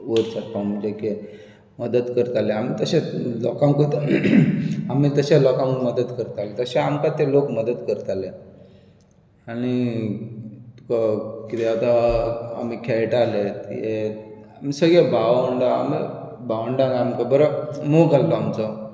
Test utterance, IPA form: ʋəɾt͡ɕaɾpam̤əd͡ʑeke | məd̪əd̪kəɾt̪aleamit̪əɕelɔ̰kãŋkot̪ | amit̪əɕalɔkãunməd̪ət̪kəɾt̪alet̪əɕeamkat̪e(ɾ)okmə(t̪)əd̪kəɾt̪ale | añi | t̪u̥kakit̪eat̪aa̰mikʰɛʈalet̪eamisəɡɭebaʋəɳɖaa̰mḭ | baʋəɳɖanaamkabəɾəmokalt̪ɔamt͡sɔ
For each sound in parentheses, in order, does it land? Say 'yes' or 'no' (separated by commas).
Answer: no, no